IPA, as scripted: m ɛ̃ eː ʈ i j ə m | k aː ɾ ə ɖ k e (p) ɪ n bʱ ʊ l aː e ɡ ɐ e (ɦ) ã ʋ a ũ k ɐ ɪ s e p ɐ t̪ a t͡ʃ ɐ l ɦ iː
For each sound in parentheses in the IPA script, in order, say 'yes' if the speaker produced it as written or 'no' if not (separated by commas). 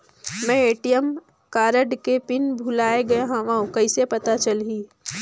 yes, yes